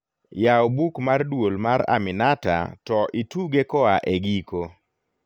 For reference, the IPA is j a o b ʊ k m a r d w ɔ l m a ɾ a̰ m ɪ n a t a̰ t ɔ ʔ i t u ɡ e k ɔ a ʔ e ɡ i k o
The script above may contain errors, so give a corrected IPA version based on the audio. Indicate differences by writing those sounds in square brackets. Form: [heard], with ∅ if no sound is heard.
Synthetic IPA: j a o b [u] k m a r d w [o] l m a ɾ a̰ m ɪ n a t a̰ t ɔ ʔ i t u ɡ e k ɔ a ʔ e ɡ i k o